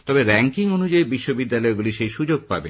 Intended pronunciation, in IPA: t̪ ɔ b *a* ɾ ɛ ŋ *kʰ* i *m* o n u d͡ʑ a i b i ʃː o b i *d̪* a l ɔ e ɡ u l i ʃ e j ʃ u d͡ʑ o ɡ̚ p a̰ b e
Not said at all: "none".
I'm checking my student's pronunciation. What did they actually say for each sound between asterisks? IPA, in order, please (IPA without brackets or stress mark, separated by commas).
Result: e, k, ŋ, d̪ː